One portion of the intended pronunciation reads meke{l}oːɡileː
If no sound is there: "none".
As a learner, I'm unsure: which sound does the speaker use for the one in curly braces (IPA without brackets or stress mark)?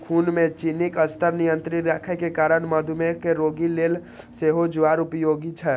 ɾ